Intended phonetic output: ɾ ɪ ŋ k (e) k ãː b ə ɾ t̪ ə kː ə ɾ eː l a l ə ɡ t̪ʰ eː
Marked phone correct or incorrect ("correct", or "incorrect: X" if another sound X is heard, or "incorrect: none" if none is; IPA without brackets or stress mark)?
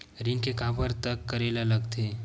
correct